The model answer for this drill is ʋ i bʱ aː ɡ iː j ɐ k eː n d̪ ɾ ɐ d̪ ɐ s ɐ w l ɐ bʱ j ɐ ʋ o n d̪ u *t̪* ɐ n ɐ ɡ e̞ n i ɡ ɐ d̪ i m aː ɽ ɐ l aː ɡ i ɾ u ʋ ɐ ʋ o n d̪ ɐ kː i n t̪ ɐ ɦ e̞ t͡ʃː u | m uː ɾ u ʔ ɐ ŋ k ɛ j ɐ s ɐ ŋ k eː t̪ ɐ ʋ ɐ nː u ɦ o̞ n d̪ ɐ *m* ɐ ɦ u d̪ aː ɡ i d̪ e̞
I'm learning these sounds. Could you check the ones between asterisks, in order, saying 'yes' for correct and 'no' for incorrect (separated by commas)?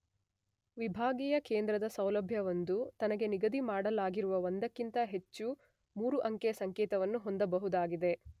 yes, no